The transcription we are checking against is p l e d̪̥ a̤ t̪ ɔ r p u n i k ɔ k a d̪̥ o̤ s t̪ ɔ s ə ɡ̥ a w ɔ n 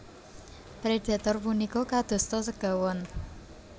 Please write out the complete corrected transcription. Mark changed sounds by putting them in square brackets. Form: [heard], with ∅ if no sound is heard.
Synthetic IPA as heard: p [ɾ] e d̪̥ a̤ t̪ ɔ r p u n i k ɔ k a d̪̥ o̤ s t̪ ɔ s ə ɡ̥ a w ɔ n